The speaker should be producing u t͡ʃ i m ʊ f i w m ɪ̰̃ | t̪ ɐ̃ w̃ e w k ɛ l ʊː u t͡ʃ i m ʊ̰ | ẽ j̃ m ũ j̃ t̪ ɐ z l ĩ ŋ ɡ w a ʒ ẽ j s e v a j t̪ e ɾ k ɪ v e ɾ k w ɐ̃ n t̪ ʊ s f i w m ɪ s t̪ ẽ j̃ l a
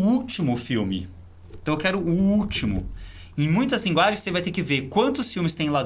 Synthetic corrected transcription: u t͡ʃ i m ʊ f i w m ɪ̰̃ | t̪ ɐ̃ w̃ e w k ɛ ɾ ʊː u t͡ʃ i m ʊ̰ | ẽ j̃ m ũ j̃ t̪ ɐ z l ĩ ŋ ɡ w a ʒ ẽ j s e v a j t̪ e ɾ k ɪ v e ɾ k w ɐ̃ n t̪ ʊ s f i w m ɪ s t̪ ẽ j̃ l a

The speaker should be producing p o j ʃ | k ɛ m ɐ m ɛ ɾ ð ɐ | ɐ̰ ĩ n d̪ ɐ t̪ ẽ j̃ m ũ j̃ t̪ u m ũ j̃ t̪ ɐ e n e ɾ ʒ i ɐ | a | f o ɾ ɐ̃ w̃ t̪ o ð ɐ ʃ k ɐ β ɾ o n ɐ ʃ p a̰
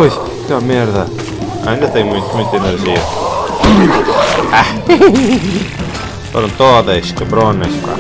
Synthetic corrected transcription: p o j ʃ | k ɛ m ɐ m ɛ ɾ ð ɐ | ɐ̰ ĩ n d̪ ɐ t̪ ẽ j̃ m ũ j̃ t̪ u m ũ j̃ t̪ ɐ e n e ɾ ʒ i ɐ | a | f o ɾ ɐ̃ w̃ t̪ o ð ɐ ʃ k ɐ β ɾ o n ɐ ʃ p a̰

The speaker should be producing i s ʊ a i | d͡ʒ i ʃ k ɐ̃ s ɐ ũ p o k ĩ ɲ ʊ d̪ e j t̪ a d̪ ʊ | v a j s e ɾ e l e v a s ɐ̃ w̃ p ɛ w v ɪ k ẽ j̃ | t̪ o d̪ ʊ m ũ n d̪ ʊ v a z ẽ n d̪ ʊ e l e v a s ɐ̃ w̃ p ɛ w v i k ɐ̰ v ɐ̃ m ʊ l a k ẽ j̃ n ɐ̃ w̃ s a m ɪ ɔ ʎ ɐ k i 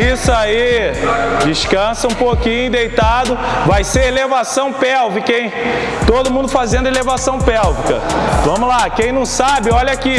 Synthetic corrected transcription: i s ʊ a i | d͡ʒ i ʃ k ɐ̃ s ɐ ũ p o k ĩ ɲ ʊ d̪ e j t̪ a d̪ ʊ | v a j s e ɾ e l e v a s ɐ̃ w̃ p ɛ w v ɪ k ẽ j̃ | t̪ o d̪ ʊ m ũ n d̪ ʊ f a z ẽ n d̪ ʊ e l e v a s ɐ̃ w̃ p ɛ w v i k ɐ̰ v ɐ̃ m ʊ l a k ẽ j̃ n ɐ̃ w̃ s a b ɪ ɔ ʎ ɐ k i

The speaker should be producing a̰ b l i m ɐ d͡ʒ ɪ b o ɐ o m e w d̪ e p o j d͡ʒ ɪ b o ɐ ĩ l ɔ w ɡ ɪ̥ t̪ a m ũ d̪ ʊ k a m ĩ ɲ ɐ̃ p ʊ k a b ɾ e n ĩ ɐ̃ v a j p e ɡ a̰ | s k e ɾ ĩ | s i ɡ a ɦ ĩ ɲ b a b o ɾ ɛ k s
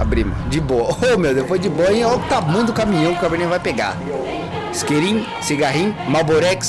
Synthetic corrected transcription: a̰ b ɾ i m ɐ d͡ʒ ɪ b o ɐ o m e w d̪ e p o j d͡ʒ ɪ b o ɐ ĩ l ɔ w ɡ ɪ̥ t̪ a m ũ d̪ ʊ k a m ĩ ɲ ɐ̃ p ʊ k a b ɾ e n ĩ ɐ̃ v a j p e ɡ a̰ | s k e ɾ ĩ | s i ɡ a ɦ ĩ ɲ m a b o ɾ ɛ k s

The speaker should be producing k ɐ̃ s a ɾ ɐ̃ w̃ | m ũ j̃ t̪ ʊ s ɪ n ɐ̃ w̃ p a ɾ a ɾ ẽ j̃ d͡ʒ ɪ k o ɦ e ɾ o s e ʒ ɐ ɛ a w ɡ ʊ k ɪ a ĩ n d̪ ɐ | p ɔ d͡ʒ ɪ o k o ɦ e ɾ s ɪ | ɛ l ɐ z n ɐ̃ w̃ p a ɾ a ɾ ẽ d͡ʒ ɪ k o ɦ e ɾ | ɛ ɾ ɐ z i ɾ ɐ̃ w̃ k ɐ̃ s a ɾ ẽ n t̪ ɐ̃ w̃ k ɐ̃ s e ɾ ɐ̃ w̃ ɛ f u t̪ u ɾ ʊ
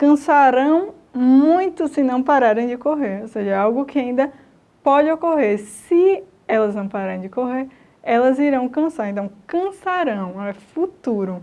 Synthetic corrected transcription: k ɐ̃ s a ɾ ɐ̃ w̃ | m ũ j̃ t̪ ʊ s ɪ n ɐ̃ w̃ p a ɾ a ɾ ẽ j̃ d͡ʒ ɪ k o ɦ e ɾ o s e ʒ ɐ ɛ a w ɡ ʊ k ɪ a ĩ n d̪ ɐ | p ɔ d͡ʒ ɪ o k o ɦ e ɾ s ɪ | ɛ l ɐ z n ɐ̃ w̃ p a ɾ a ɾ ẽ d͡ʒ ɪ k o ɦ e ɾ | ɛ l ɐ z i ɾ ɐ̃ w̃ k ɐ̃ s a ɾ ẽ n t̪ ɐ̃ w̃ k ɐ̃ s a ɾ ɐ̃ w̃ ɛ f u t̪ u ɾ ʊ

